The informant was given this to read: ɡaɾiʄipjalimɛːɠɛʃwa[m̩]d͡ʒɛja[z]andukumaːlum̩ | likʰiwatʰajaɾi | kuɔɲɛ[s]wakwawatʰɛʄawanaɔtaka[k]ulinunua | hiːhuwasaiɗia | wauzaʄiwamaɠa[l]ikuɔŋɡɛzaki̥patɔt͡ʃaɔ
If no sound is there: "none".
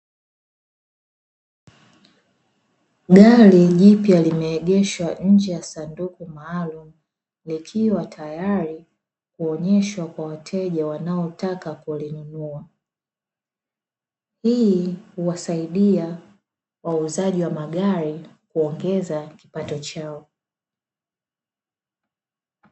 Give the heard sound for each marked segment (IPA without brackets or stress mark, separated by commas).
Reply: ɲ̩, s, ʃ, k, ɾ